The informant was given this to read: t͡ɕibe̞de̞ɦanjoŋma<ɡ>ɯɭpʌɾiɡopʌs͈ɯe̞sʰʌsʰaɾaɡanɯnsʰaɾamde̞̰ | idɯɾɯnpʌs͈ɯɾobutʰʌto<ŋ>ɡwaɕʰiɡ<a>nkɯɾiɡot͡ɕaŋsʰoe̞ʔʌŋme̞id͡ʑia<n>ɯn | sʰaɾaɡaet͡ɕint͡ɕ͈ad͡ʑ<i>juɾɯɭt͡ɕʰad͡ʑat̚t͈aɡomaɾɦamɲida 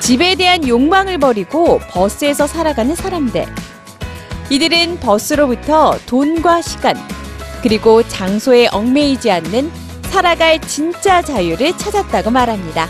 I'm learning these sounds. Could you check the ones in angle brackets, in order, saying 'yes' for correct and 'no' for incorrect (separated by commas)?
no, no, yes, no, no